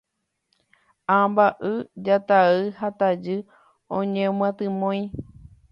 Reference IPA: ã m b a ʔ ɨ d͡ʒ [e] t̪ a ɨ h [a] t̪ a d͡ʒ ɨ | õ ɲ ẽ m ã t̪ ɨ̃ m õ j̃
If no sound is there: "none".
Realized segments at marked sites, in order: a, a

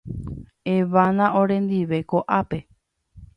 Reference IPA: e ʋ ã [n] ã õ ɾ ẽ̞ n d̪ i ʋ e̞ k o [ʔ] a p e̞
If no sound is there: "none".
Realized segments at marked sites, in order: n, ʔ

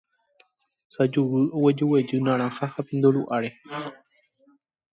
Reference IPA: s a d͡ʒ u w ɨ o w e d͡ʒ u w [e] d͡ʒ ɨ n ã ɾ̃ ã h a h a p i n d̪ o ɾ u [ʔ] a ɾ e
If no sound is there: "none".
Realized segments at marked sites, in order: e, ʔ

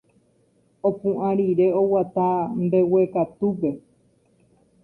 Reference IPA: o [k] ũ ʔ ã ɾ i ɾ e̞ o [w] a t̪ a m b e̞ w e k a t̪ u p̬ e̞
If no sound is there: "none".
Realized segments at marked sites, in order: p, w

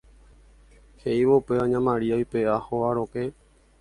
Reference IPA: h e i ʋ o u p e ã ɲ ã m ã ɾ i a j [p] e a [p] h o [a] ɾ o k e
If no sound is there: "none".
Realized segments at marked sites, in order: p, none, a

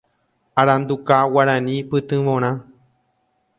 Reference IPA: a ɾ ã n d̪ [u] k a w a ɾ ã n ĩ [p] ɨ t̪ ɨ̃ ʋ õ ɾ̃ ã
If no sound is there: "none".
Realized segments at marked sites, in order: u, p

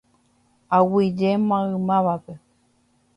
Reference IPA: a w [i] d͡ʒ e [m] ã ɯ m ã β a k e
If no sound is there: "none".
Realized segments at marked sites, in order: i, m

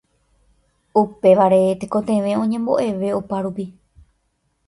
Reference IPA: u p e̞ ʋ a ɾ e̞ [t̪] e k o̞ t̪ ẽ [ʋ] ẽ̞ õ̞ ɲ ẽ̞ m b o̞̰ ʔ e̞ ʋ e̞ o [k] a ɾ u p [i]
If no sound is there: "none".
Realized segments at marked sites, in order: t̪, ʋ, p, i

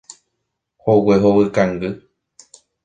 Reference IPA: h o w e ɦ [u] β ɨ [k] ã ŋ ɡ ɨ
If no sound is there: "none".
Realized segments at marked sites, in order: o, k

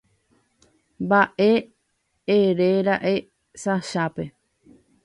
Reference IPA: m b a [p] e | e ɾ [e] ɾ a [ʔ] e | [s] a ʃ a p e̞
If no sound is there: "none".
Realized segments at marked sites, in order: ʔ, e, ʔ, s

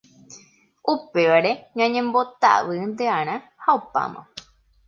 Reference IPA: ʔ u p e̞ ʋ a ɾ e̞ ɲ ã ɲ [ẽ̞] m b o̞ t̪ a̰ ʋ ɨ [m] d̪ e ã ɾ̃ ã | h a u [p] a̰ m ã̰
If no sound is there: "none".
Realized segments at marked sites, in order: ẽ̞, n, p

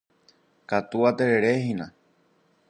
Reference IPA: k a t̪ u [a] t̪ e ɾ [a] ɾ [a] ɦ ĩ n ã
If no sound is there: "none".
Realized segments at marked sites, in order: a, e, e

